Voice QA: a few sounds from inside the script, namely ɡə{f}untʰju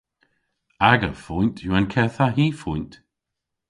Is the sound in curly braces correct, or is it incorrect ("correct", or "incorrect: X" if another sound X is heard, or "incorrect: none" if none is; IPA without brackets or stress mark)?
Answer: correct